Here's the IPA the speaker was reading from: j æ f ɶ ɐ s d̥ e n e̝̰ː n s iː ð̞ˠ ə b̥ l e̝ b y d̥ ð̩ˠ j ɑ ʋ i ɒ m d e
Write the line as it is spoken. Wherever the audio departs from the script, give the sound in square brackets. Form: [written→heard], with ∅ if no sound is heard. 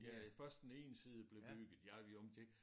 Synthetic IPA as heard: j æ f ɶ ɐ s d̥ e n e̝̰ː n s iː ð̞ˠ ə b̥ l e̝ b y [d̥→ɡ̥] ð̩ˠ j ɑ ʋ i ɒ m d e